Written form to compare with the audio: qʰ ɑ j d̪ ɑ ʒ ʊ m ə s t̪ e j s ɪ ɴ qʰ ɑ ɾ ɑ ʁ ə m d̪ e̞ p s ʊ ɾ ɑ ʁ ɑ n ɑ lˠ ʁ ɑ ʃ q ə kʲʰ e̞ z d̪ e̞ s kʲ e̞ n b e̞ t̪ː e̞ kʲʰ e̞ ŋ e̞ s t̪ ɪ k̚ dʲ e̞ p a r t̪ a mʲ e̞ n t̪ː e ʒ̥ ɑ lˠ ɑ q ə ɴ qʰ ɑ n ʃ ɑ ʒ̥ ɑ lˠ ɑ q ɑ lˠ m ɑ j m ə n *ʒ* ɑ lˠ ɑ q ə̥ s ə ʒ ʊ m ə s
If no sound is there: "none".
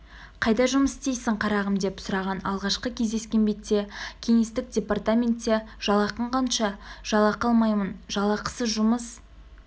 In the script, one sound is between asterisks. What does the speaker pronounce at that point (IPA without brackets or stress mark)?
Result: ʒ